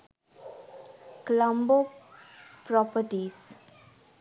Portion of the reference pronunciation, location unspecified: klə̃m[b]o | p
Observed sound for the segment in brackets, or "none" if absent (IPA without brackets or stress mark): b